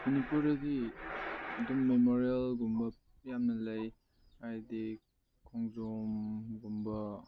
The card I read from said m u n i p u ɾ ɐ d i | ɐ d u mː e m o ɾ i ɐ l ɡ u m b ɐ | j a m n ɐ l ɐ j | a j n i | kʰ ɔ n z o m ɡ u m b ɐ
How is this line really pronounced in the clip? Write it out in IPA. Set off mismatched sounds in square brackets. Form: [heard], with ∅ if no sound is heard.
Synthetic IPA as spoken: m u n i p u ɾ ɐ d i | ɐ d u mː e m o ɾ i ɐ l ɡ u m b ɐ | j a m n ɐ l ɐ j | a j [d] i | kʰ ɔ [ŋ] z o m ɡ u m b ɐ

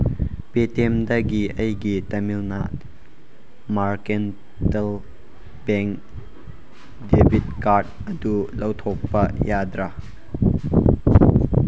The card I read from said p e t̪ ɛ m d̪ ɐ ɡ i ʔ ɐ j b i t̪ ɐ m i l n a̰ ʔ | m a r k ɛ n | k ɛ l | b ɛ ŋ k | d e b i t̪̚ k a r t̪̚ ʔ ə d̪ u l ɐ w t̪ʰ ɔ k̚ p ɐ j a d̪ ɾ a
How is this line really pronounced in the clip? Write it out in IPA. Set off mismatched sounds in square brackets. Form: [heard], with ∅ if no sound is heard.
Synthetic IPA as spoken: p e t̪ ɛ m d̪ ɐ ɡ i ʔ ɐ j [ɡ] i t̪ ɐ m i l n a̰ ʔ | m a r k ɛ n | [t] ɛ l | b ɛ ŋ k | d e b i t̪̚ k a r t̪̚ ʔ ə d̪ u l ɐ w t̪ʰ ɔ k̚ p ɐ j a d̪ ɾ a

